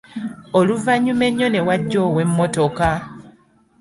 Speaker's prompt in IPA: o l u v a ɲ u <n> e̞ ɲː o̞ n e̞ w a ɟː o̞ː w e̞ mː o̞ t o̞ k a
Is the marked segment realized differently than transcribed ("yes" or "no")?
yes